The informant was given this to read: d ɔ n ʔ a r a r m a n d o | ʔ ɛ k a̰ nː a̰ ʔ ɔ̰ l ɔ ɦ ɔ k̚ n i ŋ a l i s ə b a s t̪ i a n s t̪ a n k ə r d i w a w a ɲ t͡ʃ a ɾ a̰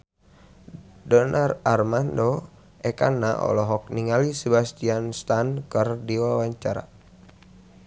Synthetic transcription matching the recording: d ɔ n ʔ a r a r m a n d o | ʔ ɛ k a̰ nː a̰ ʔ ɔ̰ l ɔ ɦ ɔ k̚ n i ŋ a l i s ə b a s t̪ i a n s t̪ a n k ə r d i w a w a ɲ t͡ʃ a ɾ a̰